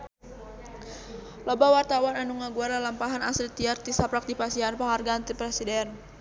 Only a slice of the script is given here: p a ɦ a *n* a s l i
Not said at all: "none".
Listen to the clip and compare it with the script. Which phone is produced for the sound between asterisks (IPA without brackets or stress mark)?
n